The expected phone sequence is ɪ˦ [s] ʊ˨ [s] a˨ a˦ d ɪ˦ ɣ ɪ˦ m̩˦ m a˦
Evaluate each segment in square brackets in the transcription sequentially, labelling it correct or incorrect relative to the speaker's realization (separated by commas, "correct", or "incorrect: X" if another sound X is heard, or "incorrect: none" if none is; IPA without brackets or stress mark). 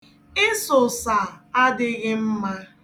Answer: correct, correct